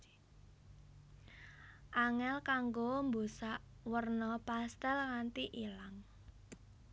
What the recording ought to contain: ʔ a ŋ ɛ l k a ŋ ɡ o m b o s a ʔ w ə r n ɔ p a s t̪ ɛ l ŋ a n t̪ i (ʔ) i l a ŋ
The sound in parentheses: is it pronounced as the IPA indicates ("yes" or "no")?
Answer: yes